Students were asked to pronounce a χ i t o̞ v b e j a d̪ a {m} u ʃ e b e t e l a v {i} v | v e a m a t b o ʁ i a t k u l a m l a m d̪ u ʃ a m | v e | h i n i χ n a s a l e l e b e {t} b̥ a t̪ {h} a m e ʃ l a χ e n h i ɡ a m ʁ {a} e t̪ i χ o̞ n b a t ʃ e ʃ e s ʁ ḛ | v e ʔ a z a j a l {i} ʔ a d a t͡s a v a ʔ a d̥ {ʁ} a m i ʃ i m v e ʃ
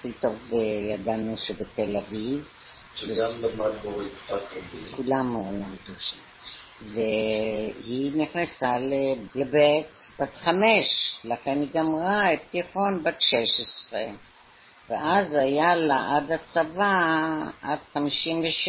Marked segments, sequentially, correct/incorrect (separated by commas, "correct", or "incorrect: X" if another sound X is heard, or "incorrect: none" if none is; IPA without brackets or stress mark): incorrect: n, correct, correct, incorrect: χ, correct, incorrect: a, incorrect: χ